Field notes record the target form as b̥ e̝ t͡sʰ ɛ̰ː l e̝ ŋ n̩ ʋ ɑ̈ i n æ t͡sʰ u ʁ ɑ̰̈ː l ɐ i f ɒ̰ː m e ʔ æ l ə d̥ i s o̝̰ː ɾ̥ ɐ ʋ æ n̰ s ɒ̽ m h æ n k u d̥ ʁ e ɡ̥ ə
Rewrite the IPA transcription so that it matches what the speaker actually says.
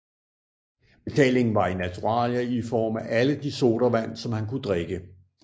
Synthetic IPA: b̥ e̝ t͡sʰ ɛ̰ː l e̝ ŋ n̩ ʋ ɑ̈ i n æ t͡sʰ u ʁ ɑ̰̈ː l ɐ i f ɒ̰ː m æ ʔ æ l ə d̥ i s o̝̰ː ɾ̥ ɐ ʋ æ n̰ s ɒ̽ m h æ n k u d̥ ʁ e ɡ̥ ə